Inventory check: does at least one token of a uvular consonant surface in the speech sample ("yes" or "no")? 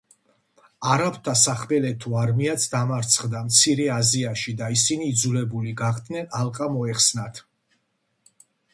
yes